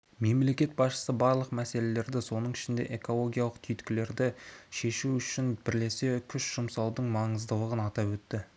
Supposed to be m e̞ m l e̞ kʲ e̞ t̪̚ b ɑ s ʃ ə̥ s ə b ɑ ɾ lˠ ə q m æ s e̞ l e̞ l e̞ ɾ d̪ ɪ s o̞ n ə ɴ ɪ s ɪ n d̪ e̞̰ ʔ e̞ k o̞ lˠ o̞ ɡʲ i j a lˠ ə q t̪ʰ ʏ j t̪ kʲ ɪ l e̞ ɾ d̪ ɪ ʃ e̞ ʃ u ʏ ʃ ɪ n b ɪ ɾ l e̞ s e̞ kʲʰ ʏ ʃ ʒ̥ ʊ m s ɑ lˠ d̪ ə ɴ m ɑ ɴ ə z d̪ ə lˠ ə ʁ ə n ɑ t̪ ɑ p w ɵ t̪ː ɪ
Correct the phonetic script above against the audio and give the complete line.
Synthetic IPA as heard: m e̞ m l e̞ kʲ e̞ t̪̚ b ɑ s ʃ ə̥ s ə b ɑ ɾ lˠ ə q m æ s e̞ l e̞ l e̞ ɾ d̪ ɪ s o̞ n ə ɴ ɪ ʃ ɪ n d̪ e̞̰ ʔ e̞ k o̞ lˠ o̞ ɡʲ i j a lˠ ə q t̪ʰ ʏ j t̪ kʲ ɪ l e̞ ɾ d̪ ɪ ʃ e̞ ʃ u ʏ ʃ ɪ n b ɪ ɾ l e̞ s e̞ kʲʰ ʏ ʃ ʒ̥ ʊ m s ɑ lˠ d̪ ə ɴ m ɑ ɴ ə z d̪ ə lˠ ə ʁ ə n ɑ t̪ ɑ p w ɵ t̪ː ɪ